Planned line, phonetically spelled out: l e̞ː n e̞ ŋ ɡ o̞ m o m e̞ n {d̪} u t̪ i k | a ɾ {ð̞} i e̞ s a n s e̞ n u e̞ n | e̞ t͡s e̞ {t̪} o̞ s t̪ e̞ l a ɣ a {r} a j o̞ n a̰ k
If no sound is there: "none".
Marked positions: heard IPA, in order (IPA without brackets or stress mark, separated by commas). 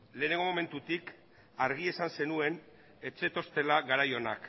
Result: t̪, ɣ̞, t̪, ɾ